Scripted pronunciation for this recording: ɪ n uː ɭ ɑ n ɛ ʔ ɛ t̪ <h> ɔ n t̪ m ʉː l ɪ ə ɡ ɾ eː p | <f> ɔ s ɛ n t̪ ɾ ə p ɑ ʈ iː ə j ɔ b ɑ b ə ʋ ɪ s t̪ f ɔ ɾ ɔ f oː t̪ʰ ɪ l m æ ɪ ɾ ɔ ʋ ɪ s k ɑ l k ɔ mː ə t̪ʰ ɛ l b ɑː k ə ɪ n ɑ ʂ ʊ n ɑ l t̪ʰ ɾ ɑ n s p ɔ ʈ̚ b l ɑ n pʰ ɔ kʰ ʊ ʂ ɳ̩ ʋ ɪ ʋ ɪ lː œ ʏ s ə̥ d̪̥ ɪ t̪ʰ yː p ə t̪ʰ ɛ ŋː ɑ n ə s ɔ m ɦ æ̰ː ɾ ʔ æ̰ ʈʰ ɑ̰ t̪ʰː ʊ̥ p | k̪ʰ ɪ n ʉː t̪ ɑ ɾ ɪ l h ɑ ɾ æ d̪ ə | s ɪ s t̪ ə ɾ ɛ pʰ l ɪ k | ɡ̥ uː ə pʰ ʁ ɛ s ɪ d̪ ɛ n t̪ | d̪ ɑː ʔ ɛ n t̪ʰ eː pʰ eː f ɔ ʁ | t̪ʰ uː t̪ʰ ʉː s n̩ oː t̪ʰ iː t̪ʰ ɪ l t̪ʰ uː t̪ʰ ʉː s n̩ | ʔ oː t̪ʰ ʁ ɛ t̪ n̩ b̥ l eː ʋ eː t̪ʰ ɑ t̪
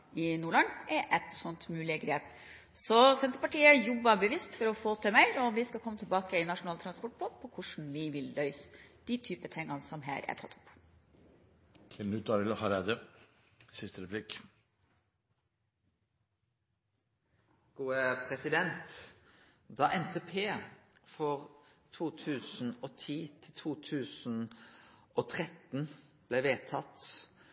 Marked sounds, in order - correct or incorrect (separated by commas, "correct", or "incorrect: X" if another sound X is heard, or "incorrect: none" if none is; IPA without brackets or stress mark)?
incorrect: s, incorrect: s